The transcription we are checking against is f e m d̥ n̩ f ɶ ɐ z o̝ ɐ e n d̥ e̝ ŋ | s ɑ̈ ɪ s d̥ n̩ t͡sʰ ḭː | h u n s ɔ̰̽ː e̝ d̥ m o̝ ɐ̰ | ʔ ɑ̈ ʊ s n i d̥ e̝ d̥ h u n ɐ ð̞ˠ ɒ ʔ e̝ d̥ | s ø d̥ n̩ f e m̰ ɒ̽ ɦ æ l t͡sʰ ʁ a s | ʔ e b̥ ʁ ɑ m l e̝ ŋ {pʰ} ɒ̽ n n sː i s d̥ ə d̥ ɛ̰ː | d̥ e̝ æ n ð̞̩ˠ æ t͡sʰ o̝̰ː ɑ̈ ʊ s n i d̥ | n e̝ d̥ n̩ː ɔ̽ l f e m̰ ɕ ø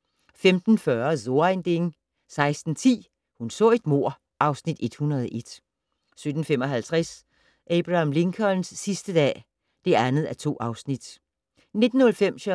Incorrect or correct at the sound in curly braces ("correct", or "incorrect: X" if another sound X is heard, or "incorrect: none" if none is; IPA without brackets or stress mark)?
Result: incorrect: kʰ